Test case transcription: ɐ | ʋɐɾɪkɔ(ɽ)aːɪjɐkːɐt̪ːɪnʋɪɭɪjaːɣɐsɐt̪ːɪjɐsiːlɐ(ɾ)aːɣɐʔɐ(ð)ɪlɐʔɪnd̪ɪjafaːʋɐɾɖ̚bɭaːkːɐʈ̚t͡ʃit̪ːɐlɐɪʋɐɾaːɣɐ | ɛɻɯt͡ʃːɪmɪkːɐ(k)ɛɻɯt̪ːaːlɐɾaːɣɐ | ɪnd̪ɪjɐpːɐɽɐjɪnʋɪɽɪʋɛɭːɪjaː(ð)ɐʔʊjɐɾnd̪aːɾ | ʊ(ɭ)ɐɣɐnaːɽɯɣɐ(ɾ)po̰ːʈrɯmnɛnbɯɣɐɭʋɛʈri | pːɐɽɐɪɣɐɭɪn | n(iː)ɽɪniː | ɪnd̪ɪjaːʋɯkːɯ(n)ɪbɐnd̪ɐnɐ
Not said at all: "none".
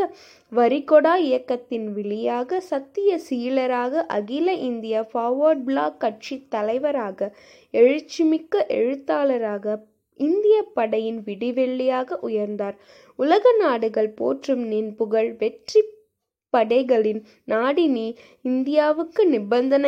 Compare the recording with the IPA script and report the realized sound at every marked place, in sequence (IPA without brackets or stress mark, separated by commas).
ɽ, ɾ, ɣ, ʔ, ɣ, l, ɭ, aː, n